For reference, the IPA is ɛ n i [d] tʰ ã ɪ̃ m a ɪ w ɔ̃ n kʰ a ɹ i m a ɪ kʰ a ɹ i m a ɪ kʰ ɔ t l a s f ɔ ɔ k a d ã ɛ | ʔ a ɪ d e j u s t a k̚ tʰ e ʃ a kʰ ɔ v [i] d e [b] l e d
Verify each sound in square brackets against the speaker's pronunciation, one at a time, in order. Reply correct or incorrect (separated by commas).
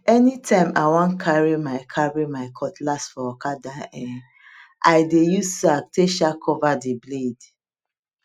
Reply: incorrect, incorrect, correct